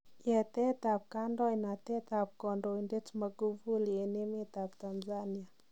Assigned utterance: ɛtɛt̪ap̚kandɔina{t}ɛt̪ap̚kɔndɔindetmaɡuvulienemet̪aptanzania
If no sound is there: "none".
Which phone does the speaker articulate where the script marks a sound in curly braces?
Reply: t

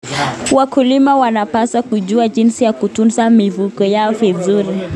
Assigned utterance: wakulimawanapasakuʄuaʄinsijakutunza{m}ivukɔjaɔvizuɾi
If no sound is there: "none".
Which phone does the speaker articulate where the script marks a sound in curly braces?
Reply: m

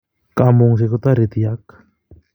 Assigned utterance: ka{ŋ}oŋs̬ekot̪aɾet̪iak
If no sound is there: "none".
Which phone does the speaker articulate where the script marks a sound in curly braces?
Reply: m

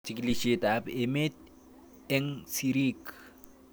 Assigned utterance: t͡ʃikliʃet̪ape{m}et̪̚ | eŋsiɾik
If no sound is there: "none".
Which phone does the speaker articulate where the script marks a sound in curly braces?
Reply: m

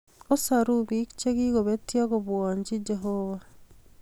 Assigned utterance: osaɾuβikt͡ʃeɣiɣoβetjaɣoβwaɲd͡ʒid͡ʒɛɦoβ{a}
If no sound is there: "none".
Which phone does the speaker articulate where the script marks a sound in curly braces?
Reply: a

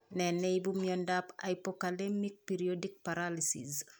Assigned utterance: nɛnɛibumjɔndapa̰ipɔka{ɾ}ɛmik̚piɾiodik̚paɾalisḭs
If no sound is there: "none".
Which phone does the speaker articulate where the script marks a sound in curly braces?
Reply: l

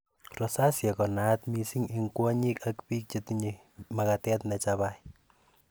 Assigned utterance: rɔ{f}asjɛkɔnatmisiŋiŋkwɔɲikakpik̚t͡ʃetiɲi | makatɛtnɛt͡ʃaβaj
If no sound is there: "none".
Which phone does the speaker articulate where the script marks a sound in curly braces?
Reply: s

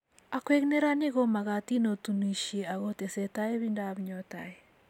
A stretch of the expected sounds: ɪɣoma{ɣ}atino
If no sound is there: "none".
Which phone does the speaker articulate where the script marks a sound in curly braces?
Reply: ɣ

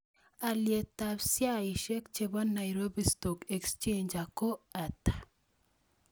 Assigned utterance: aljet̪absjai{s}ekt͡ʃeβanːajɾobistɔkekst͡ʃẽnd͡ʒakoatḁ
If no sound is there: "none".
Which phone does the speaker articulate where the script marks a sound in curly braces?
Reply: ʃ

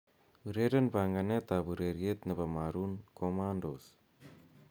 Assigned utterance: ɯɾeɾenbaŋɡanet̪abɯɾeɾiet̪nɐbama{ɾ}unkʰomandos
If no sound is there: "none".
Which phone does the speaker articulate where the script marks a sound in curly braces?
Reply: ɾ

